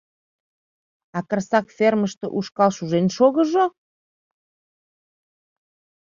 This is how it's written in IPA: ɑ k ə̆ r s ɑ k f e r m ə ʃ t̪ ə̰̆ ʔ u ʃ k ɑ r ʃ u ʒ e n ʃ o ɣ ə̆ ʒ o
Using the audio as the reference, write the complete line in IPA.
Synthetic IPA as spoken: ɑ k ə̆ r s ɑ k f e r m ə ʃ t̪ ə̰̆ ʔ u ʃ k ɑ l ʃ u ʒ e n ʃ o ɣ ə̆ ʒ o